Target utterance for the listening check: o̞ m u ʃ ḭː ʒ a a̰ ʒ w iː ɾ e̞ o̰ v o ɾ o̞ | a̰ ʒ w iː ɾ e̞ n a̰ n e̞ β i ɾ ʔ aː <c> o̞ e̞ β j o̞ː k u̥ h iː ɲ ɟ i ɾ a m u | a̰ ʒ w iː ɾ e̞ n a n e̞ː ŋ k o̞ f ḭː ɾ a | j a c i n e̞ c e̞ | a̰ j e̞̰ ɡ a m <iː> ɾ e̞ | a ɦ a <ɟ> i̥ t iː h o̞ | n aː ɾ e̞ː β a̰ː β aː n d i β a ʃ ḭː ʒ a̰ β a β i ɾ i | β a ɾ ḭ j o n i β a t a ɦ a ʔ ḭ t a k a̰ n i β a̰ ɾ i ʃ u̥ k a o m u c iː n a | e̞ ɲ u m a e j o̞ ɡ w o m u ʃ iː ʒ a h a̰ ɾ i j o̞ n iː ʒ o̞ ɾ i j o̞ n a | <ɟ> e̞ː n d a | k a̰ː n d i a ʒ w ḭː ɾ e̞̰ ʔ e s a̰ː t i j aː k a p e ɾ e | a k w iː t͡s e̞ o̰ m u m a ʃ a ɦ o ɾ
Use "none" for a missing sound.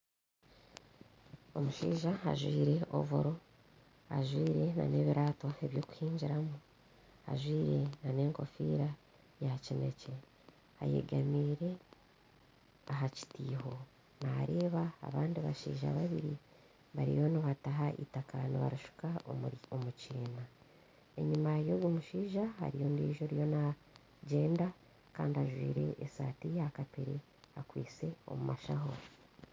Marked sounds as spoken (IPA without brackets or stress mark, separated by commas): t, iː, c, ɟ